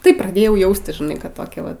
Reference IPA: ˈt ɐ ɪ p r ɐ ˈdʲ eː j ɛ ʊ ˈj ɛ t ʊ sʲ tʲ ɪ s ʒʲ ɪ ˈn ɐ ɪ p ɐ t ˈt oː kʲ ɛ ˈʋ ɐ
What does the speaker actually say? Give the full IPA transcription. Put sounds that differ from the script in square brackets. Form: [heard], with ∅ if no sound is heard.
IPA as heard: ˈt ɐ ɪ p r ɐ ˈdʲ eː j ɛ ʊ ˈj ɛ [∅] ʊ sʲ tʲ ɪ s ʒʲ ɪ ˈn ɐ ɪ [k] ɐ t ˈt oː kʲ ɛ ˈʋ ɐ